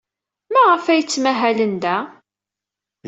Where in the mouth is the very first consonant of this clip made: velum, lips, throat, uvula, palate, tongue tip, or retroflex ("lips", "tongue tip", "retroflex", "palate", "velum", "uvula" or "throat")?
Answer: lips